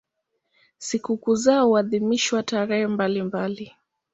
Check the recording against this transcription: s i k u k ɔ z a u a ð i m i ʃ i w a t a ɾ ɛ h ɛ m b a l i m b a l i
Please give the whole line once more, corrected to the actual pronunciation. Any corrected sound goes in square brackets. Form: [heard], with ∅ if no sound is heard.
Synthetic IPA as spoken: s i k u k [u] z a u a ð i m i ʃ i w a t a ɾ ɛ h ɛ m b a l i m b a l i